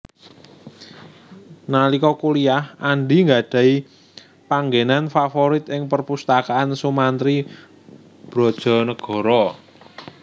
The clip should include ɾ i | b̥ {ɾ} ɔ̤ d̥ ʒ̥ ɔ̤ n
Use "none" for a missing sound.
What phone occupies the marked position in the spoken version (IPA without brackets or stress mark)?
ɾ